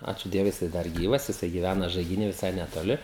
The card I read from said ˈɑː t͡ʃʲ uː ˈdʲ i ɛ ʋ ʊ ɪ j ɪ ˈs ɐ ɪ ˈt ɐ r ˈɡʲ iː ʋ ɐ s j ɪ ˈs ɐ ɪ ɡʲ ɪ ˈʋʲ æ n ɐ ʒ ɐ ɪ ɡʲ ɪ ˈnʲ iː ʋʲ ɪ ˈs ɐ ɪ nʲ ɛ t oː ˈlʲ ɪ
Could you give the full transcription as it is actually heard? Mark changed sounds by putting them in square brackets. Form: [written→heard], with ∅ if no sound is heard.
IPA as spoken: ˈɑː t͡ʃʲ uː ˈdʲ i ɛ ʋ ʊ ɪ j ɪ ˈs ɐ ɪ [ˈt→ˈd] ɐ r ˈɡʲ iː ʋ ɐ s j ɪ ˈs ɐ ɪ ɡʲ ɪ ˈʋʲ æ n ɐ ʒ ɐ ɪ ɡʲ ɪ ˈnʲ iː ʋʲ ɪ ˈs ɐ ɪ nʲ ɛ t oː ˈlʲ ɪ